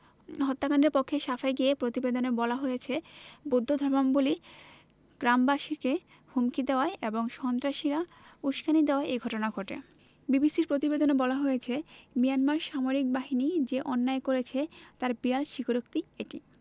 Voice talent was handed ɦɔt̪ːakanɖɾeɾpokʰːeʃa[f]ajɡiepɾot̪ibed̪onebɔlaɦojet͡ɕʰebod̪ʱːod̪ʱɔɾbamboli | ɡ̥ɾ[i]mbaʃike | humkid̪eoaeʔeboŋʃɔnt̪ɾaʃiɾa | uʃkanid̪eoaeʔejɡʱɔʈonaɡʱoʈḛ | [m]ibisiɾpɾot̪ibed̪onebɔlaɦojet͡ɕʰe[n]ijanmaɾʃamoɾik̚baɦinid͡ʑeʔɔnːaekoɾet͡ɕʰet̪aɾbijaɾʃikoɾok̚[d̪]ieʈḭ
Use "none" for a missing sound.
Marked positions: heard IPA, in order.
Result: f, a, b, m, t̪

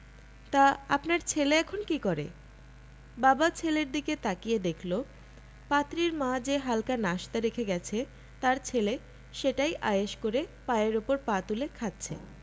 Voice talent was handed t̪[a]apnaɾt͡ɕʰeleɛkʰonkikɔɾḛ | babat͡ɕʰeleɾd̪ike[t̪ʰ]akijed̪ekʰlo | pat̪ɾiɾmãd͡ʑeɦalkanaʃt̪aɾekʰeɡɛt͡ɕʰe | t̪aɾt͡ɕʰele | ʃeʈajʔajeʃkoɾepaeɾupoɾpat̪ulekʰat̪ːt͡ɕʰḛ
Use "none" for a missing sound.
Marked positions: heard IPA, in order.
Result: a, t̪

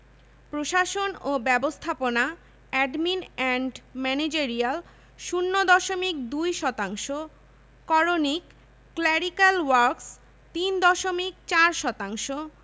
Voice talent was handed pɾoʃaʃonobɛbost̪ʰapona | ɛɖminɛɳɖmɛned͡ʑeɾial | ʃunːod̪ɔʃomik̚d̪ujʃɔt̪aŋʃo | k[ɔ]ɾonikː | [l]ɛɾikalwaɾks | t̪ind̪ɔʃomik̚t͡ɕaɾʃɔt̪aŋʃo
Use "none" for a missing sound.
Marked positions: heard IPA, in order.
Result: ɔ, l

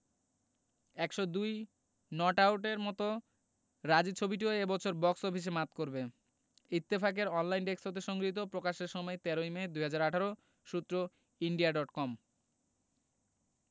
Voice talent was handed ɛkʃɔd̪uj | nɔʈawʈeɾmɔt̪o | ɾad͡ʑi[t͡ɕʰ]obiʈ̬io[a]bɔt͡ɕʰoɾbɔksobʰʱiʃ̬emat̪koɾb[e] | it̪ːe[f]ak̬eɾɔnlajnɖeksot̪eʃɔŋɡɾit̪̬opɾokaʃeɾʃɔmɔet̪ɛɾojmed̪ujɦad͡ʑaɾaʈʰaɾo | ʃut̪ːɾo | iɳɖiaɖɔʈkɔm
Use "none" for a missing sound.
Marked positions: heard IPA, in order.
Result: t͡ɕʰ, e, e, f

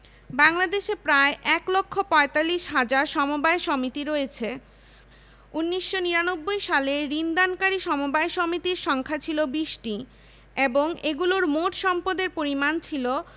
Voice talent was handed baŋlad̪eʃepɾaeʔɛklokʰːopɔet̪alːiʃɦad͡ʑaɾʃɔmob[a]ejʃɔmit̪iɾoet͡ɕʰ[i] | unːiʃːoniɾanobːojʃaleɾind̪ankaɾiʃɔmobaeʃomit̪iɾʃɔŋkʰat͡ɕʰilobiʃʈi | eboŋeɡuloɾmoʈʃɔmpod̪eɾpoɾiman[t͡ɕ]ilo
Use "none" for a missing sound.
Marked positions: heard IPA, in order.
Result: a, e, t͡ɕʰ

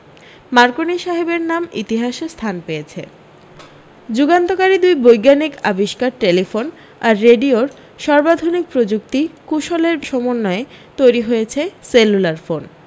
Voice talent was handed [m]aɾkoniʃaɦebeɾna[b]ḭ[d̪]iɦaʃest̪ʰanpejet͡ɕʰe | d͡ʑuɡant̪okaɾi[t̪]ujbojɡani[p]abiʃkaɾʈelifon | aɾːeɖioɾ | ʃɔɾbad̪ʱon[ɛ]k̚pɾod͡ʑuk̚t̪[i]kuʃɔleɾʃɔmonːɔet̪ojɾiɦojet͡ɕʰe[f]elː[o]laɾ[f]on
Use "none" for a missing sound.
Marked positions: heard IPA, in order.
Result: m, m, t̪, d̪, k, i, i, s, u, f

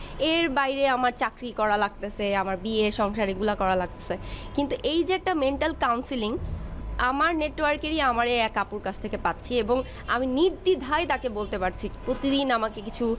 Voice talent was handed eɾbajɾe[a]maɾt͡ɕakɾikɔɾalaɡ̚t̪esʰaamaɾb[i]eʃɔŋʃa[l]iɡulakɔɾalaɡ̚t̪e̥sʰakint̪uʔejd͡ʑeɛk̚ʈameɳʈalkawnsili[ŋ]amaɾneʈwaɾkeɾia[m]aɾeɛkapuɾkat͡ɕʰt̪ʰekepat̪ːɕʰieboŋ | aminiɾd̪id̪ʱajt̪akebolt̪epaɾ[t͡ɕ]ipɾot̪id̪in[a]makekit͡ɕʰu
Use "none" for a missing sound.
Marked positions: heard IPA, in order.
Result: a, i, ɾ, ŋ, m, t͡ɕʰ, a

